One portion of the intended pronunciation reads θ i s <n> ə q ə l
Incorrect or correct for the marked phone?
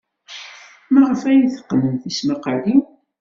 incorrect: m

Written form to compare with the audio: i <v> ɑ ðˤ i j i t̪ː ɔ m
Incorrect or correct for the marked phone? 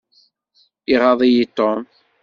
incorrect: ʁ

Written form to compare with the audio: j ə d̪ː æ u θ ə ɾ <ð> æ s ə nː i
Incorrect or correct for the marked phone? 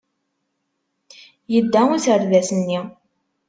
correct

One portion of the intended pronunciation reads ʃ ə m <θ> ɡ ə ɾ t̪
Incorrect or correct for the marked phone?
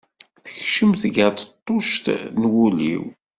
correct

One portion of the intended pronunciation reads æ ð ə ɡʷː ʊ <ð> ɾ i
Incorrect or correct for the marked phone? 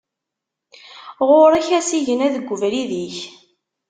incorrect: v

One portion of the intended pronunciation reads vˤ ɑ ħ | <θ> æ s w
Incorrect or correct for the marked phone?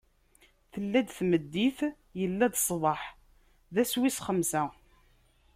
incorrect: ð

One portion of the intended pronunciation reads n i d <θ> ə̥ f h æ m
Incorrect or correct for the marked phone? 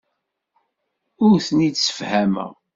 incorrect: s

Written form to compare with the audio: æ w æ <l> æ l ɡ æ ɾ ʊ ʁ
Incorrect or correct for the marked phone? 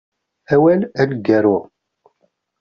correct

